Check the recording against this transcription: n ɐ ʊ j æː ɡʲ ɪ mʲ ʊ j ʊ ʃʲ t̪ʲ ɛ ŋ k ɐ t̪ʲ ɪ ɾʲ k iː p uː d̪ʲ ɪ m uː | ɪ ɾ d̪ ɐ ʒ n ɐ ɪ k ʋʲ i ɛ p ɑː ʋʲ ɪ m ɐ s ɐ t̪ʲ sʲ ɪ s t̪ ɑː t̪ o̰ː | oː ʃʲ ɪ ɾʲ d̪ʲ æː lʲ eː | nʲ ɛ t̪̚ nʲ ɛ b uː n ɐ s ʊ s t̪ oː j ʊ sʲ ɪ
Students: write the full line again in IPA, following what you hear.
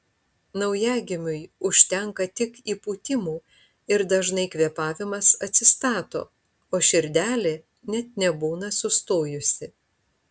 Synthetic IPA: n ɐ ʊ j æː ɡʲ ɪ mʲ ʊ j ʊ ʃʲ t̪ʲ ɛ ŋ k ɐ t̪ʲ ɪ k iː p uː t̪ʲ ɪ m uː | ɪ ɾ d̪ ɐ ʒ n ɐ ɪ k ʋʲ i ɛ p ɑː ʋʲ ɪ m ɐ s ɐ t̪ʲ sʲ ɪ s t̪ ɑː t̪ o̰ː | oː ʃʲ ɪ ɾʲ d̪ʲ æː lʲ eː | nʲ ɛ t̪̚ nʲ ɛ b uː n ɐ s ʊ s t̪ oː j ʊ sʲ ɪ

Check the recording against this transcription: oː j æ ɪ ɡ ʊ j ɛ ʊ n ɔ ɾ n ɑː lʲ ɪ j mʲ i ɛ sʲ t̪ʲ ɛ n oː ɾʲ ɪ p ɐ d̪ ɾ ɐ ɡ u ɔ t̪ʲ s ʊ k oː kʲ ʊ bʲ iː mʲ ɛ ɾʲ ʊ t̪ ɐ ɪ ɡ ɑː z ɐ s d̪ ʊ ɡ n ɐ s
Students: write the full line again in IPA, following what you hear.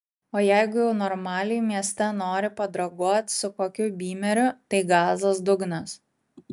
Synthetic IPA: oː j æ ɪ ɡ ʊ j ɛ ʊ n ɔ ɾ m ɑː lʲ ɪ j mʲ i ɛ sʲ t̪ʲ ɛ n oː ɾʲ ɪ p ɐ d̪ ɾ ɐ ɡ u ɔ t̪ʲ s ʊ k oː kʲ ʊ bʲ iː mʲ ɛ ɾʲ ʊ t̪ ɐ ɪ ɡ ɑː z ɐ s d̪ ʊ ɡ n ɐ s

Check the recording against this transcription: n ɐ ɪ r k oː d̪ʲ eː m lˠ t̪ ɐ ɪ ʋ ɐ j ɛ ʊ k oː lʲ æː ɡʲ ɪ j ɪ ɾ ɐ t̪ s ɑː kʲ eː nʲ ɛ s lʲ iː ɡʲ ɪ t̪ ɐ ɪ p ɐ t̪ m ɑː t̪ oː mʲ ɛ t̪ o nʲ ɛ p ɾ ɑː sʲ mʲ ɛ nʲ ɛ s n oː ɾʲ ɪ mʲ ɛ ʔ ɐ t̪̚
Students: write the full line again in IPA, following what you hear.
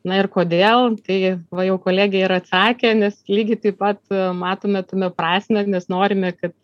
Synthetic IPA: n ɐ ɪ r k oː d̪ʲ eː lˠ t̪ ɐ ɪ ʋ ɐ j ɛ ʊ k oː lʲ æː ɡʲ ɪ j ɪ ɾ ɐ t̪ s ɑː kʲ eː nʲ ɛ s lʲ iː ɡʲ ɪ t̪ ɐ ɪ p ɐ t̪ m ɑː t̪ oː mʲ ɛ t̪ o mʲ ɛ p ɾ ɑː sʲ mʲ ɛ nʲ ɛ s n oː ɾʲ ɪ mʲ ɛ k ɐ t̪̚

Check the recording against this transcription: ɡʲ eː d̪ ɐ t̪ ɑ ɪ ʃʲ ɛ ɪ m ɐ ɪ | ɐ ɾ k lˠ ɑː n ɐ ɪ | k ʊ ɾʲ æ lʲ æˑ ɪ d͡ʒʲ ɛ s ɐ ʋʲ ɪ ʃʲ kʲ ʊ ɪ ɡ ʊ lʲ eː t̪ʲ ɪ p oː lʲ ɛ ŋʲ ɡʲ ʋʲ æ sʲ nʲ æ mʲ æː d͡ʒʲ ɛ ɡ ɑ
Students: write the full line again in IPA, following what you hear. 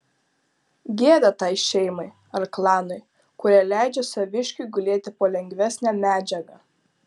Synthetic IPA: ɡʲ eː d̪ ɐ t̪ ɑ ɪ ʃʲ ɛ ɪ m ɐ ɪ | ɐ ɾ k lˠ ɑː n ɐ ɪ | k ʊ ɾʲ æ lʲ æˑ ɪ d͡ʒʲ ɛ s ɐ ʋʲ ɪ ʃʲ kʲ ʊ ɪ ɡ ʊ lʲ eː t̪ʲ ɪ p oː lʲ ɛ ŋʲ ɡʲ ʋʲ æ sʲ nʲ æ mʲ æː d͡ʒʲ ɛ ɡ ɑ

